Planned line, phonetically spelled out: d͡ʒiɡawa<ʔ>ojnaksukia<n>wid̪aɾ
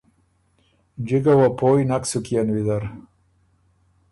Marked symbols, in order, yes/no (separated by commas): no, yes